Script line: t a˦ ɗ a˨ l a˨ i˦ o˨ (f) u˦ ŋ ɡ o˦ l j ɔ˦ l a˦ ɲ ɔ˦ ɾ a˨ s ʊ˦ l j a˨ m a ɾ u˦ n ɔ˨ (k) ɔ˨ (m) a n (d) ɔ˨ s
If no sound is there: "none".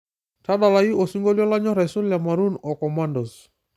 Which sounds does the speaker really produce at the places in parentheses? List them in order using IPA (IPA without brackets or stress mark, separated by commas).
s, k, m, d